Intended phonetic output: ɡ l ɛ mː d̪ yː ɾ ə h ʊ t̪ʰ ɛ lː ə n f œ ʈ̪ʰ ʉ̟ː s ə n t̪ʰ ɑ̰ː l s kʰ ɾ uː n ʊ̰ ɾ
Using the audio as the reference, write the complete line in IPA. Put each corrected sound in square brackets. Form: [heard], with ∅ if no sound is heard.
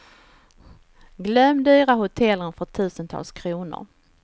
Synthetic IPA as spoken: ɡ l [œ] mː d̪ yː ɾ [a] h ʊ t̪ʰ ɛ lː ə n f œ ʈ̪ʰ ʉ̟ː s ə n t̪ʰ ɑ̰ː l s kʰ ɾ uː n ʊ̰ ɾ